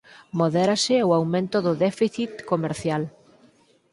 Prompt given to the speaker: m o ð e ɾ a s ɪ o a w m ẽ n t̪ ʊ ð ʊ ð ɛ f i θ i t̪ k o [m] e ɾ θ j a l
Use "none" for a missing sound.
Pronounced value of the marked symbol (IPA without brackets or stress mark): m